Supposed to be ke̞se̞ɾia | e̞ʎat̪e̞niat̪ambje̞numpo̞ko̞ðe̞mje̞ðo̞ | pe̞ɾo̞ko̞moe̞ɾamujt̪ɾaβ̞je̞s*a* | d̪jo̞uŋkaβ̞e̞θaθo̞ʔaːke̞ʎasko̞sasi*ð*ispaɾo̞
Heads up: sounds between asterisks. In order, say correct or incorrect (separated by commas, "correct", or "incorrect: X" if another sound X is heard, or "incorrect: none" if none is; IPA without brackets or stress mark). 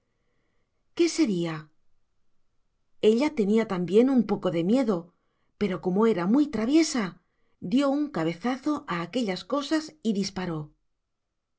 correct, correct